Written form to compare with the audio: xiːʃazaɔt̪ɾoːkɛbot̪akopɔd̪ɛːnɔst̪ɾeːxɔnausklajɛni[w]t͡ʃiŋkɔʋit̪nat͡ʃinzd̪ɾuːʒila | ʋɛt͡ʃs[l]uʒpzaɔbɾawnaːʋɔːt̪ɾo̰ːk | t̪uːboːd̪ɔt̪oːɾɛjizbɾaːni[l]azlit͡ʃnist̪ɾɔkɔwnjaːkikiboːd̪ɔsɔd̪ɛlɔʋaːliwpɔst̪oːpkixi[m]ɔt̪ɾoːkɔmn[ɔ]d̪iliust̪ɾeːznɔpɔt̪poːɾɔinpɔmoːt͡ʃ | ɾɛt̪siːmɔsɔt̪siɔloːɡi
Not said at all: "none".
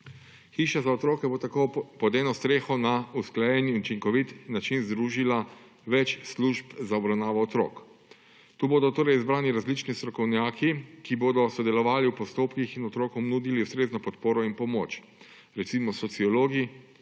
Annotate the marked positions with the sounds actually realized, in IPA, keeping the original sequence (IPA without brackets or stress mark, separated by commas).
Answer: u, l, ɾ, n, u